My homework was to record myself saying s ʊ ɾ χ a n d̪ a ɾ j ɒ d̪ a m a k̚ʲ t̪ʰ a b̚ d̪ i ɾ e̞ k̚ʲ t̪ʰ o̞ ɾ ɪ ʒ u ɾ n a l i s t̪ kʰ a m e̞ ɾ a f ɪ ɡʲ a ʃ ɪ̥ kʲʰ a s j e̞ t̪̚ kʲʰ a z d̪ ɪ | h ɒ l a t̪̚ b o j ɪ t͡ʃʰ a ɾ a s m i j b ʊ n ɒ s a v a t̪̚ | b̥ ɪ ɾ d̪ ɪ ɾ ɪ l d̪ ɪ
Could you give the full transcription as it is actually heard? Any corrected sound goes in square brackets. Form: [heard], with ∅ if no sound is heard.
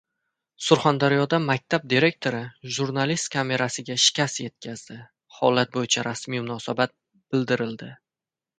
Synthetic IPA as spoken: s ʊ ɾ χ a n d̪ a ɾ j ɒ d̪ a m a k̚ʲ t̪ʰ a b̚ d̪ i ɾ e̞ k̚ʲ t̪ʰ o̞ ɾ ɪ ʒ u ɾ n a l i s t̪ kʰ a m e̞ ɾ a [s] ɪ ɡʲ a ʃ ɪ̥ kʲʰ a s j e̞ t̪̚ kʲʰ a z d̪ ɪ | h ɒ l a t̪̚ b o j ɪ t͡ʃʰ a ɾ a s m i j [m] ʊ n ɒ s a [b] a t̪̚ | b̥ ɪ [l] d̪ ɪ ɾ ɪ l d̪ ɪ

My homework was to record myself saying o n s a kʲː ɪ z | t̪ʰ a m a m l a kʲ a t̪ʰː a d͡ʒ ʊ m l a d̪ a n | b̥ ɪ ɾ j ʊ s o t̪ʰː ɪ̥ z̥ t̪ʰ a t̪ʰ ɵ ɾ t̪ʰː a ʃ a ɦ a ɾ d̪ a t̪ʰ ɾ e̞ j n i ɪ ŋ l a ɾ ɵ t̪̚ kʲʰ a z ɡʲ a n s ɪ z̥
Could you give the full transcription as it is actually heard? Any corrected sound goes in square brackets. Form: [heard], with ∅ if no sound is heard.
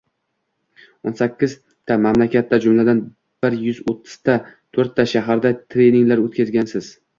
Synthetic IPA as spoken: o n s a kʲː ɪ z | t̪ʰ a m a m l a kʲ a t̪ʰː a d͡ʒ ʊ m l a d̪ a n | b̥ ɪ ɾ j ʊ [z] o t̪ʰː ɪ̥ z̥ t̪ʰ a t̪ʰ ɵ ɾ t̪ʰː a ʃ a ɦ a ɾ d̪ a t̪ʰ ɾ e̞ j n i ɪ ŋ l a ɾ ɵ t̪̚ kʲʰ a z ɡʲ a n s ɪ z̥

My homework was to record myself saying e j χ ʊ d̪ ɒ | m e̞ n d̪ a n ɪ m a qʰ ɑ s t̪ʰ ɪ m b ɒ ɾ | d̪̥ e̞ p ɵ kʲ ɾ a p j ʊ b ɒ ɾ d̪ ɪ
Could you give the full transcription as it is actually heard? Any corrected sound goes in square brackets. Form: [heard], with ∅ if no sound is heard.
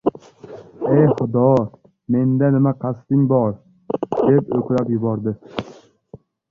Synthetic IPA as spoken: e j χ ʊ d̪ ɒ | m e̞ n d̪ a n ɪ m a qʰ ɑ s [t̪] ɪ [ŋ] b ɒ ɾ | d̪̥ e̞ p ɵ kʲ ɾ a p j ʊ b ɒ ɾ d̪ ɪ

